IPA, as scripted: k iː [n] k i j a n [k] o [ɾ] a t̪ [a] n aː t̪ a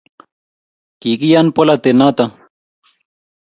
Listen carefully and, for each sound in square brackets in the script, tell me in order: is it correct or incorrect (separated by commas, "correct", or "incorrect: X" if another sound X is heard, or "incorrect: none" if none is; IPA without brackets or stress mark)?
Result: incorrect: none, incorrect: p, incorrect: l, incorrect: e